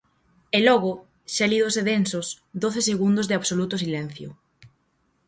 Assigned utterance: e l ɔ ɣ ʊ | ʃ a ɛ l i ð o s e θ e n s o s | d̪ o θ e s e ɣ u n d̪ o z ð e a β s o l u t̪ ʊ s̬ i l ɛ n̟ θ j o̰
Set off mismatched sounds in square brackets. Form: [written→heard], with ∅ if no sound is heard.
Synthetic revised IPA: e l ɔ ɣ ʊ | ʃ a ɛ l i ð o s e [θ→ð] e n s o s | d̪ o θ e s e ɣ u n d̪ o z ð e a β s o l u t̪ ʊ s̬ i l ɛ n̟ θ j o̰